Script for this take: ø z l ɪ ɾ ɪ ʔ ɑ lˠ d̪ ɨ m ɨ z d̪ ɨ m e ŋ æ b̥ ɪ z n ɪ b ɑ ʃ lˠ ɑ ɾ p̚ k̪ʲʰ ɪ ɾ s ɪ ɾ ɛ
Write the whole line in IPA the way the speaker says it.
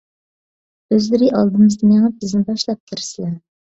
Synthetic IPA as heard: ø z l ɪ ɾ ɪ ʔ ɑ lˠ d̪ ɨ m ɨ z d̪ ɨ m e ŋ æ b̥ ɪ z n ɪ b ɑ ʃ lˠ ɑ p̚ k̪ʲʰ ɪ ɾ s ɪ l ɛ